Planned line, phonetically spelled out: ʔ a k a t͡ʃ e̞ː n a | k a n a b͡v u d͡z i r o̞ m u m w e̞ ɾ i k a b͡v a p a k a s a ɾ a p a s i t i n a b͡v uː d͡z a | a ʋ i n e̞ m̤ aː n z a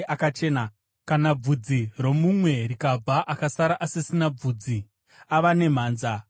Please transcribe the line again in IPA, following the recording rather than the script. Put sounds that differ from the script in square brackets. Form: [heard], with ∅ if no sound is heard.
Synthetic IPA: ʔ a k a t͡ʃ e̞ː n a | k a n a b͡v u d͡z i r o̞ m u m w e̞ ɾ i k a b͡v a [ʔ] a k a s a ɾ a [ʔ] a s i [s] i n a b͡v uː d͡z [i] | a ʋ [a] n e̞ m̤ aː n z a